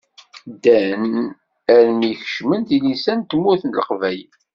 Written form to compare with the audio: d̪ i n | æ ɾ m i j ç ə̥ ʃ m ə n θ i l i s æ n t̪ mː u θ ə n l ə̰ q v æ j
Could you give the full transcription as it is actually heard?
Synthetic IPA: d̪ æ n | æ ɾ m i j ç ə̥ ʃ m ə n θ i l i s æ n t̪ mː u θ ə n l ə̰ q v æ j